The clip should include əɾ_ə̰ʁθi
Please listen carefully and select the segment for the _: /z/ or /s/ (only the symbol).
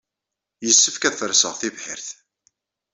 s